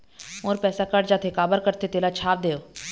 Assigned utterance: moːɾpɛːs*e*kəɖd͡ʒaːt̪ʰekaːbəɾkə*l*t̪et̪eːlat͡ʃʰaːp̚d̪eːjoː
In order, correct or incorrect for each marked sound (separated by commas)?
incorrect, incorrect